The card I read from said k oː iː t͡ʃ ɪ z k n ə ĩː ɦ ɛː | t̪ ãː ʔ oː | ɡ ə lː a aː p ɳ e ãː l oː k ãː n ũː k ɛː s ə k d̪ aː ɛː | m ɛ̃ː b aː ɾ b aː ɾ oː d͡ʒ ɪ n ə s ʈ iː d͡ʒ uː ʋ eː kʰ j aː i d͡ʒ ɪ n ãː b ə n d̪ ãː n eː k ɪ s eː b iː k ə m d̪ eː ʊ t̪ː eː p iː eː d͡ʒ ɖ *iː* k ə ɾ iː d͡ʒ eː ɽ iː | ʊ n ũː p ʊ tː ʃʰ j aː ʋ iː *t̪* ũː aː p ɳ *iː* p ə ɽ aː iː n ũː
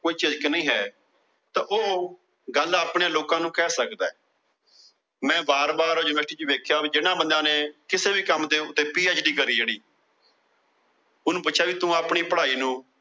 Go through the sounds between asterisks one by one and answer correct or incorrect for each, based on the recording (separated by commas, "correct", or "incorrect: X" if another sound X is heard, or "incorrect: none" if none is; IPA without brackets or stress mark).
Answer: correct, correct, correct